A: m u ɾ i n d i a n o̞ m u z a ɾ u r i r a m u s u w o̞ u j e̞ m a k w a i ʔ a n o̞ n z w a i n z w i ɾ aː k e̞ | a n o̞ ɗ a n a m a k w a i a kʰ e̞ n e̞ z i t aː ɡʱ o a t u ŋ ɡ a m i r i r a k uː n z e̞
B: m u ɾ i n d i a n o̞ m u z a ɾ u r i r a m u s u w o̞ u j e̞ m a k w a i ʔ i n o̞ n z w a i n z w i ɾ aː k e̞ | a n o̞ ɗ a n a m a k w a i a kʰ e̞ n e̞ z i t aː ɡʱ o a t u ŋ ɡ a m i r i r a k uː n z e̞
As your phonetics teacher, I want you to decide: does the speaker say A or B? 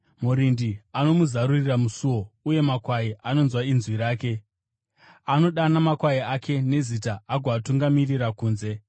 A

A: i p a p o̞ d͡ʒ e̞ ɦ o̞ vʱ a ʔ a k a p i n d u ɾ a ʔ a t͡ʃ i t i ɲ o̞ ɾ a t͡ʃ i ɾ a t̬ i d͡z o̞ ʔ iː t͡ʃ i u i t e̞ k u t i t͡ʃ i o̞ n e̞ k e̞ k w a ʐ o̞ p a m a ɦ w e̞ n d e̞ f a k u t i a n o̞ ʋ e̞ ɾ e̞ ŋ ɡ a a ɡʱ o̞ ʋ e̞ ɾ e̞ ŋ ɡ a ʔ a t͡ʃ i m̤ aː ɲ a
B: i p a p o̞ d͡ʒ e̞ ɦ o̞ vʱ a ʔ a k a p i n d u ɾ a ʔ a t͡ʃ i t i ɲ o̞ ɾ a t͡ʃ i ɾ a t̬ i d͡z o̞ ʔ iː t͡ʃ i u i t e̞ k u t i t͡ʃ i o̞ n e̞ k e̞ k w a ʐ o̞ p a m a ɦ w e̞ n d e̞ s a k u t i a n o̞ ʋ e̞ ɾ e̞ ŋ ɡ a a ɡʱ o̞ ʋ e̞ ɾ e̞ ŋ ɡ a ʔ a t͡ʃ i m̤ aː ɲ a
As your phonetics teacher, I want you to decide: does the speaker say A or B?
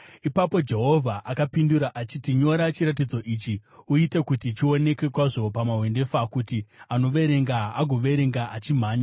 A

